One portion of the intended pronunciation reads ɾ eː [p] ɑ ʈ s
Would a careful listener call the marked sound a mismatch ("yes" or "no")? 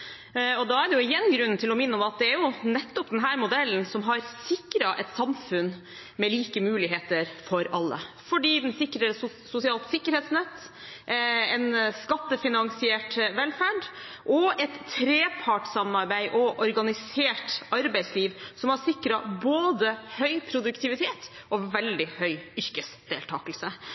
yes